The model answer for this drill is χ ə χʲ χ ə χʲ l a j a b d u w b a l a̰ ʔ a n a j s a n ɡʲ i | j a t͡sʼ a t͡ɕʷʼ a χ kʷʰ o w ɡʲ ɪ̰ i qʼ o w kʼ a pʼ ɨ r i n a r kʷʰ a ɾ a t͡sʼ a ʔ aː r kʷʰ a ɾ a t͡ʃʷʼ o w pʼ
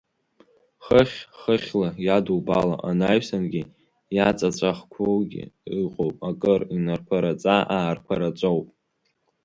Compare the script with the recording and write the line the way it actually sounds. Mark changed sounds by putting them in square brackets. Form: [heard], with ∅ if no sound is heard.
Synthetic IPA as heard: χ ə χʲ χ ə χʲ l a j a [∅] d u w b a l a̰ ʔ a n a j s a n ɡʲ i | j a t͡sʼ a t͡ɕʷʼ a χ kʷʰ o w ɡʲ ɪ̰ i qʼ o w [pʼ] a [kʼ] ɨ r i n a r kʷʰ a ɾ a t͡sʼ a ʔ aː r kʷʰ a ɾ a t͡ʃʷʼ o w pʼ